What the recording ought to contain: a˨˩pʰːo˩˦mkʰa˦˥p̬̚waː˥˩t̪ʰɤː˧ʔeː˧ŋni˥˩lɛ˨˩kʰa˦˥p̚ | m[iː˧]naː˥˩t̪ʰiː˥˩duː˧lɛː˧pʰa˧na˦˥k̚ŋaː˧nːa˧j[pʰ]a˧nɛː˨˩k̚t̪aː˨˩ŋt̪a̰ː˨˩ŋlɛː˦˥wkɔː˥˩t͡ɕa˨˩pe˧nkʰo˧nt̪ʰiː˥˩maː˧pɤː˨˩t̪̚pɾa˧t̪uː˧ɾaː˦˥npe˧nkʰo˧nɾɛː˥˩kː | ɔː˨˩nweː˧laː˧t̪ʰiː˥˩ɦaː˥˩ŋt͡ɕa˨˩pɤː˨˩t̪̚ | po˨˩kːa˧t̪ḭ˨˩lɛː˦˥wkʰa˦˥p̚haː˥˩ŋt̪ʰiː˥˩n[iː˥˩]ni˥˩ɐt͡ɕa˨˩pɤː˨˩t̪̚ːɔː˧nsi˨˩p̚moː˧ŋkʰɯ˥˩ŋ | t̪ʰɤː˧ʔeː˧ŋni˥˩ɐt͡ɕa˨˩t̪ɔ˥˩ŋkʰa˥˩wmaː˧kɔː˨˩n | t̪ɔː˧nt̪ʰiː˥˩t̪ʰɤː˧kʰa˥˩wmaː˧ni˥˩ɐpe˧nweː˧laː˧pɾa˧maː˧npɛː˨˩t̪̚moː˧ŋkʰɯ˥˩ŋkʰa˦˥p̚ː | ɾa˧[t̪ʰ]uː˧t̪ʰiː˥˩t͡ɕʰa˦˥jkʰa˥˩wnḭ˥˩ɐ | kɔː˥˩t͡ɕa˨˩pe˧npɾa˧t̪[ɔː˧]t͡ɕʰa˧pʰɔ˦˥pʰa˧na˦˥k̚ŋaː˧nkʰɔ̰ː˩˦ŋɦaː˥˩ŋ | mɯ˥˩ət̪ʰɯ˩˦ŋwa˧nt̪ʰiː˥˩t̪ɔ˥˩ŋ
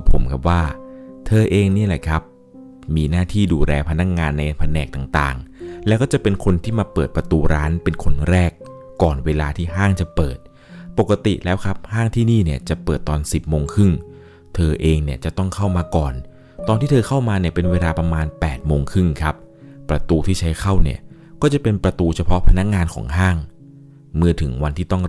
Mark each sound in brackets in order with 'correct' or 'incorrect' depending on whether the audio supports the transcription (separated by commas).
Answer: correct, correct, correct, incorrect, incorrect